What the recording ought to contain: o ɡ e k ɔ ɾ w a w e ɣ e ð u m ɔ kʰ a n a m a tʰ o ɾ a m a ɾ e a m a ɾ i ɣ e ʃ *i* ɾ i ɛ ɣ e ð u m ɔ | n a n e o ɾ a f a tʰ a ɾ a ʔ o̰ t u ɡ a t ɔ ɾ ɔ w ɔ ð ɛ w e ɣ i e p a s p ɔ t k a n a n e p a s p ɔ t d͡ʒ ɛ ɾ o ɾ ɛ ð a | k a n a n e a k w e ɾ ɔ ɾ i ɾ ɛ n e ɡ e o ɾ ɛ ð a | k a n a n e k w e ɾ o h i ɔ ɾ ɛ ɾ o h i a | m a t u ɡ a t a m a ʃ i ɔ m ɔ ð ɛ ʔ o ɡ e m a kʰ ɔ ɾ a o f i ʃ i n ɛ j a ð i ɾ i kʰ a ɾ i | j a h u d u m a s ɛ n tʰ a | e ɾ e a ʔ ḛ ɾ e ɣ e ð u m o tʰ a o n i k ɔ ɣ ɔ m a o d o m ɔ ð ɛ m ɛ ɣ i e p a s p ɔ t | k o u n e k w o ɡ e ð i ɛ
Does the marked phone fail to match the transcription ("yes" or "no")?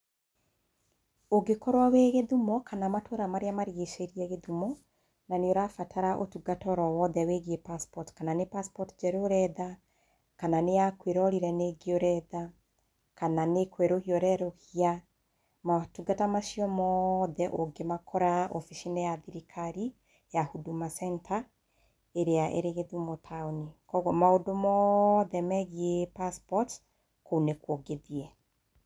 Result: yes